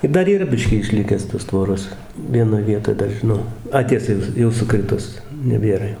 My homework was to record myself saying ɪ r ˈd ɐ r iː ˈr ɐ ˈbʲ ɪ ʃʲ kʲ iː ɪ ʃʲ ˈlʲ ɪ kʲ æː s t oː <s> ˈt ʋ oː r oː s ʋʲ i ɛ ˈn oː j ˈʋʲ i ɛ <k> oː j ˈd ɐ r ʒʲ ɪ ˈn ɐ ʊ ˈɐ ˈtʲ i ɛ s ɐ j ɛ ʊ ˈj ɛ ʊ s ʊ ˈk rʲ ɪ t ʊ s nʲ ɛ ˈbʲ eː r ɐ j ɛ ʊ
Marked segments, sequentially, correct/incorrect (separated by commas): correct, incorrect